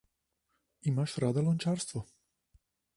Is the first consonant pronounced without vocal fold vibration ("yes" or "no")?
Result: no